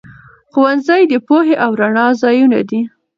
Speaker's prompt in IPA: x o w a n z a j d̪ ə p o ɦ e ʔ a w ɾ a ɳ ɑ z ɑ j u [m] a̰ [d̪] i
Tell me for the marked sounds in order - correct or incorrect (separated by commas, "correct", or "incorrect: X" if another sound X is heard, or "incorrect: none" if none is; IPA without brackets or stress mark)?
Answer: incorrect: n, correct